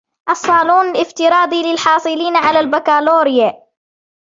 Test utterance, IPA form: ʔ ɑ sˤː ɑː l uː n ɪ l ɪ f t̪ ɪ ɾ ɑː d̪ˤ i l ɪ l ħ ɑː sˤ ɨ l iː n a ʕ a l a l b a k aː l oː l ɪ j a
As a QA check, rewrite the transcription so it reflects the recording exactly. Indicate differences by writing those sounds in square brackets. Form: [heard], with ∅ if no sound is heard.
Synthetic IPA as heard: ʔ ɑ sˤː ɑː l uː n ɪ l ɪ f t̪ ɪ ɾ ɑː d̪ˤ i l ɪ l ħ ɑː sˤ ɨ l iː n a ʕ a l a l b a k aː l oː [ɾ] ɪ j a